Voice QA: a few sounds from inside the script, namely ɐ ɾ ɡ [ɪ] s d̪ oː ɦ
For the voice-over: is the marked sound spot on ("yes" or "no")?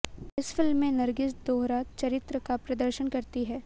yes